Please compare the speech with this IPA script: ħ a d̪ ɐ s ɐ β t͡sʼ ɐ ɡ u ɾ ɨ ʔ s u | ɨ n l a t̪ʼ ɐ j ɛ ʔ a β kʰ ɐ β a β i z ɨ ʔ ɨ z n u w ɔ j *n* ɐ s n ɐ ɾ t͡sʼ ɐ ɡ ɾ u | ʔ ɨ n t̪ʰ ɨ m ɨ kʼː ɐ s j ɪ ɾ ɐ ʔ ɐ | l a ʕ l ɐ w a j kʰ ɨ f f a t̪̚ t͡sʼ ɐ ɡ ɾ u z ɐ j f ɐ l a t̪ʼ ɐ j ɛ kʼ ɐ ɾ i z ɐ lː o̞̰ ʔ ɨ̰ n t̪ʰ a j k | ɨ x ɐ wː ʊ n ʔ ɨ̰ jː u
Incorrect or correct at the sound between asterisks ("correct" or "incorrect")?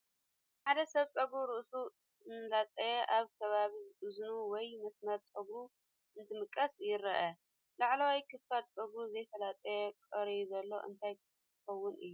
incorrect